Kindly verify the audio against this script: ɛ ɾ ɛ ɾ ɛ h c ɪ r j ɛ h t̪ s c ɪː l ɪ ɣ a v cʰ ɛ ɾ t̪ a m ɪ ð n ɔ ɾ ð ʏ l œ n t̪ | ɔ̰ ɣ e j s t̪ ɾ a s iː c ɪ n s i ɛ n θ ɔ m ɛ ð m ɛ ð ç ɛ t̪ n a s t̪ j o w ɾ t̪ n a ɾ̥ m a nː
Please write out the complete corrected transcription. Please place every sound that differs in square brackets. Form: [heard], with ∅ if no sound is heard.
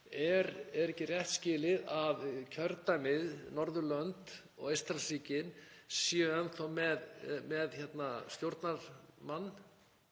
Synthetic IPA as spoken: ɛ ɾ ɛ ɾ ɛ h c ɪ r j ɛ h t̪ s c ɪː l ɪ [ð] a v cʰ [œ] ɾ t̪ a m ɪ ð n ɔ ɾ ð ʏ l œ n t̪ | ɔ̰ ɣ e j s t̪ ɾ a s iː c ɪ n s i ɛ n θ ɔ m ɛ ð m ɛ ð ç ɛ t̪ n a s t̪ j o w ɾ t̪ n a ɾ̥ m a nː

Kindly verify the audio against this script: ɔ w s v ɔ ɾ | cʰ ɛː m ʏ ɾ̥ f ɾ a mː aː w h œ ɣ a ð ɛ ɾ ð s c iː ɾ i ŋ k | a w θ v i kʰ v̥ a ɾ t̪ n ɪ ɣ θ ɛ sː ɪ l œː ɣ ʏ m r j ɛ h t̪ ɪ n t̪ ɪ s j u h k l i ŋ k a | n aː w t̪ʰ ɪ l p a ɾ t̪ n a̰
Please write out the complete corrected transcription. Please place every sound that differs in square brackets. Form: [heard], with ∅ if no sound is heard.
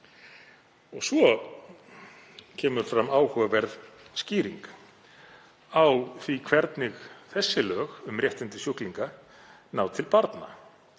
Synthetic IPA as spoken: ɔ [ɣ] s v ɔ [∅] | cʰ ɛː m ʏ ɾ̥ f ɾ a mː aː w h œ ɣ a [v] ɛ ɾ ð s c iː ɾ i ŋ k | a w θ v i kʰ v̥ [ɛ] ɾ t̪ n ɪ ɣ θ ɛ sː ɪ l œː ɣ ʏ m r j ɛ h t̪ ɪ n t̪ ɪ s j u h k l i ŋ k a | n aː w t̪ʰ ɪ l p a ɾ t̪ n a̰

